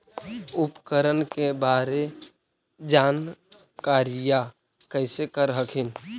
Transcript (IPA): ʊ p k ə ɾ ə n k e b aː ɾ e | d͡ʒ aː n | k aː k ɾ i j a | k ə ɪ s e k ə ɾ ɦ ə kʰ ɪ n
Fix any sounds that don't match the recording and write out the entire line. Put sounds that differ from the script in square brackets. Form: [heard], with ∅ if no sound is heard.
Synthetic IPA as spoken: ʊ p k ə ɾ ə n k e b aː ɾ e | d͡ʒ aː n | k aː [∅] ɾ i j a | k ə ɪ s e k ə ɾ ɦ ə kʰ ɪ n